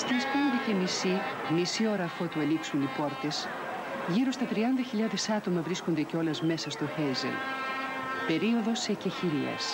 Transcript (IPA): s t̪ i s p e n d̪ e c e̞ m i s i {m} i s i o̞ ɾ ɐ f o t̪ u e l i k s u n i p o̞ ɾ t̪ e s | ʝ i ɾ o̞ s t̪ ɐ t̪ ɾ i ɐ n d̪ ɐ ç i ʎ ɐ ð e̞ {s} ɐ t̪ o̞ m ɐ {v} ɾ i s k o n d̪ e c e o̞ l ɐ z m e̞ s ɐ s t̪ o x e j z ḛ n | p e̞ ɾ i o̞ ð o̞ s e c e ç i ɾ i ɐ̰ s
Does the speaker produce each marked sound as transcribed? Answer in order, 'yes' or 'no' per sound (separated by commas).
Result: yes, yes, yes